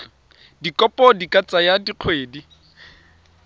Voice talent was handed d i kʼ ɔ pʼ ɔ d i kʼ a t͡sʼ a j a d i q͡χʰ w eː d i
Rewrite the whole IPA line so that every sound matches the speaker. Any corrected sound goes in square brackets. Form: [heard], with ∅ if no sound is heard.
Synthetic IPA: d i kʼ ɔ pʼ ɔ d i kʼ a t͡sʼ a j a d i q͡χʰ w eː d i